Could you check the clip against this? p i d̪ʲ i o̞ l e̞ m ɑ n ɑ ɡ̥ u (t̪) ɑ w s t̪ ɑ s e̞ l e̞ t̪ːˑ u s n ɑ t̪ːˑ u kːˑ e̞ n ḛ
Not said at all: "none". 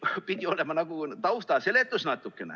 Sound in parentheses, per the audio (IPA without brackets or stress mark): t̪